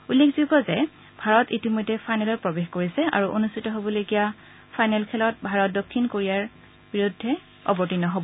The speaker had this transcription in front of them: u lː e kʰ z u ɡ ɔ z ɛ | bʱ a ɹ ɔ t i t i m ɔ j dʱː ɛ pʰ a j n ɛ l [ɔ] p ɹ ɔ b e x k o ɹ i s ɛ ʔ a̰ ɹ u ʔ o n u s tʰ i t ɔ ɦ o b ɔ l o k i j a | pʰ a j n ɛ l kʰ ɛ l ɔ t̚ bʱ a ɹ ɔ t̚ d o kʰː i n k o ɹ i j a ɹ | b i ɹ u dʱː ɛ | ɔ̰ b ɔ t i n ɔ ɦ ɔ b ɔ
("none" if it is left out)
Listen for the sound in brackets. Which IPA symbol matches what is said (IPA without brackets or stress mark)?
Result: ɔ